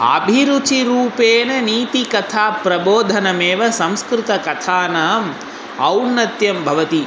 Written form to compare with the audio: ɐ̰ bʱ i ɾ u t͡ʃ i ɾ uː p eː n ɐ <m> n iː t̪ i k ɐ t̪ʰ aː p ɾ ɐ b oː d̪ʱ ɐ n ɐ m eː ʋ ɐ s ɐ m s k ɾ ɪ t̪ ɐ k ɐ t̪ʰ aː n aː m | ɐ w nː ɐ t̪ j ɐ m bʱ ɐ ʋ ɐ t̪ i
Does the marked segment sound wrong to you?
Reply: yes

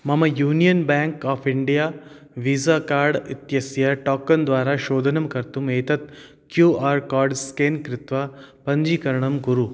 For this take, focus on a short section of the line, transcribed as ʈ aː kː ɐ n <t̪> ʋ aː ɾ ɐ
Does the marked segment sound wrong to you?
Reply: yes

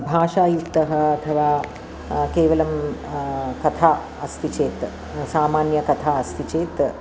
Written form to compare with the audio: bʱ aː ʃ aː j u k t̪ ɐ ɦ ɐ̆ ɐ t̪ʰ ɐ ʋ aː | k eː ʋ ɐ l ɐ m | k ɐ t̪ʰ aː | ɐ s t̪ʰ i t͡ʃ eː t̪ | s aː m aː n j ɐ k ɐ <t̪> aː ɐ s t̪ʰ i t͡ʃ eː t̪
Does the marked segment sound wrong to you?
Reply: yes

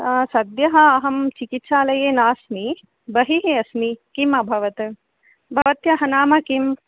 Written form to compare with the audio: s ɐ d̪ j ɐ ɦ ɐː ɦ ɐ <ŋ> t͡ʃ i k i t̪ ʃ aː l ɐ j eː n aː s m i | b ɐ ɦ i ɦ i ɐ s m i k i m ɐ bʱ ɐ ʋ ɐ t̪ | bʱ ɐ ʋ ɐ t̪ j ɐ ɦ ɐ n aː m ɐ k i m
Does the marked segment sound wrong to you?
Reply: yes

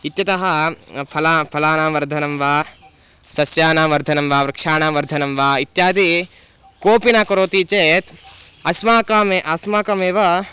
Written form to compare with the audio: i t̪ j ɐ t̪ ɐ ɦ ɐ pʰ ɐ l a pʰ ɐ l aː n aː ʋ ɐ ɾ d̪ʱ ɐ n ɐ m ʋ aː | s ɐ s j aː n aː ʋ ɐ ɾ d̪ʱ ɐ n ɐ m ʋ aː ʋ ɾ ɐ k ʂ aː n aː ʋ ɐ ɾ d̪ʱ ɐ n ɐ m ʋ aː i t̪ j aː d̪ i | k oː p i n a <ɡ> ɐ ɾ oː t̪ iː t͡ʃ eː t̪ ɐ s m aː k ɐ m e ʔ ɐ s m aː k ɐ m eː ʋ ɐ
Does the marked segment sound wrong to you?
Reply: yes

